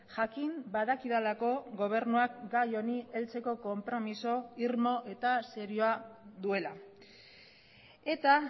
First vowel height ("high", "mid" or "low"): low